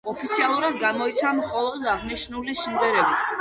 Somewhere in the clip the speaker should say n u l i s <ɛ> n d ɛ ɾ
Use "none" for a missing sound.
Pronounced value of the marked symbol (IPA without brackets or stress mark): i